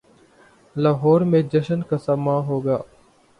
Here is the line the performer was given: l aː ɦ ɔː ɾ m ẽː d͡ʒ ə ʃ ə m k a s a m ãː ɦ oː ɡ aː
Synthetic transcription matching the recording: l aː ɦ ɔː ɾ m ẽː d͡ʒ ə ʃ ə n k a s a m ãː ɦ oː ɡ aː